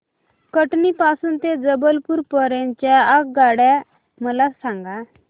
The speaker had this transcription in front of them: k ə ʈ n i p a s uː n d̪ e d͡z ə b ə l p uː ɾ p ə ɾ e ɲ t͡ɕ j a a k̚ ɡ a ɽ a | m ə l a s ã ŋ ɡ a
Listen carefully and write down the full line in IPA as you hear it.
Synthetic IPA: k ə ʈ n i p a s uː n t̪ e d͡z ə b ə l p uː ɾ p ə ɾ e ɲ t͡ɕ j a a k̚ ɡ a ɽ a | m ə l a s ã ŋ ɡ a